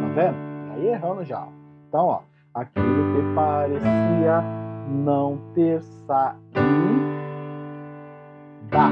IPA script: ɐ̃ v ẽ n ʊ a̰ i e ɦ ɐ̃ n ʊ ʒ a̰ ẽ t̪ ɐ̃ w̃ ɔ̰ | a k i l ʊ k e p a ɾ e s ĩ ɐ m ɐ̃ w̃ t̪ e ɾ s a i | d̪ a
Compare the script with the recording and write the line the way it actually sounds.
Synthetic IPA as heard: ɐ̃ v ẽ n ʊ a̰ i e ɦ ɐ̃ n ʊ ʒ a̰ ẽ t̪ ɐ̃ w̃ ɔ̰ | a k i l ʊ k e p a ɾ e s i ɐ n ɐ̃ w̃ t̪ e ɾ s a i | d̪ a